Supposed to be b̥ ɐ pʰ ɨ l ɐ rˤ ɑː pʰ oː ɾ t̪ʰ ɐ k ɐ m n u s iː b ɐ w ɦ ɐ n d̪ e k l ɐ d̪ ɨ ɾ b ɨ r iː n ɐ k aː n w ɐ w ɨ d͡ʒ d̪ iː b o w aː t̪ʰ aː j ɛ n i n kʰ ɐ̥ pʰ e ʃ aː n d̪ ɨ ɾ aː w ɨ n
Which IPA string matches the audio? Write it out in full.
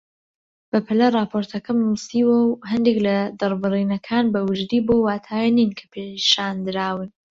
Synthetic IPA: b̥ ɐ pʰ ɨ l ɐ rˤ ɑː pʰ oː ɾ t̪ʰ ɐ k ɐ m n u s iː w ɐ w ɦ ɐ n d̪ e k l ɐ d̪ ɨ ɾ b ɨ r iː n ɐ kʰ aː n b ɐ w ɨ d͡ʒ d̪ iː b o w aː t̪ʰ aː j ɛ n i n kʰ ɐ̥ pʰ e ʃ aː n d̪ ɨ ɾ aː w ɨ n